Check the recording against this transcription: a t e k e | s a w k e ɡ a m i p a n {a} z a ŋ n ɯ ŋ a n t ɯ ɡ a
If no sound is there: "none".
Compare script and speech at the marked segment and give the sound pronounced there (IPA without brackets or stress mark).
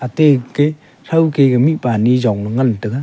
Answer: i